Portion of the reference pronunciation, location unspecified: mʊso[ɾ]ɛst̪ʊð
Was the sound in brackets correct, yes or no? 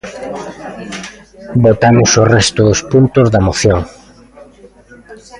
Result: no